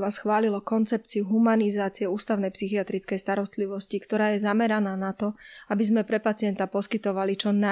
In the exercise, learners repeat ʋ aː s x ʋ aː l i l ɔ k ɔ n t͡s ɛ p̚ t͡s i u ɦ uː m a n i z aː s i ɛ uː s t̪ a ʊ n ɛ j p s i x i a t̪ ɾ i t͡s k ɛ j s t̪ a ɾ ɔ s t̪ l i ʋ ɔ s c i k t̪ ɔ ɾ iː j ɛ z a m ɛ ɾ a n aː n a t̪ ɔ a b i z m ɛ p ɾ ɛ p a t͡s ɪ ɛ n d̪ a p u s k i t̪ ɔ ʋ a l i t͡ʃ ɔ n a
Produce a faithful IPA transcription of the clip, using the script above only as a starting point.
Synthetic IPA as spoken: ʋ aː s x ʋ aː l i l ɔ k ɔ n t͡s ɛ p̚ t͡s i u ɦ u m a n i z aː t͡s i ɛ uː s t̪ a ʊ n ɛ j p s i x i a t̪ ɾ i t͡s k ɛ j s t̪ a ɾ ɔ s t̪ l i ʋ ɔ s c i k t̪ ɔ ɾ aː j ɛ z a m ɛ ɾ a n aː n a t̪ ɔ a b i z m ɛ p ɾ ɛ p a t͡s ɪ ɛ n t̪ a p ɔ s k i t̪ ɔ ʋ a l i t͡ʃ ɔ n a